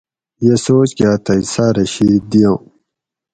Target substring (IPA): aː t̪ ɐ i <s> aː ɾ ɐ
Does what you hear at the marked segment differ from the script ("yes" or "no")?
no